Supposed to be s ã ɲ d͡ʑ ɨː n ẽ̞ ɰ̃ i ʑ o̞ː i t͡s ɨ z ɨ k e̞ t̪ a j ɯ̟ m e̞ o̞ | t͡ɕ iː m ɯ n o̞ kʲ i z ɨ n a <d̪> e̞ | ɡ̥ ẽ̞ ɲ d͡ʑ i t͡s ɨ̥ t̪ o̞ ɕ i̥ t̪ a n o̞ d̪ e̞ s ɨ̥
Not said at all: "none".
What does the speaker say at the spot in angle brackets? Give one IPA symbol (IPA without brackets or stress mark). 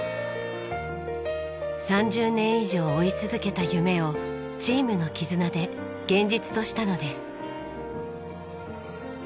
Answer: d̪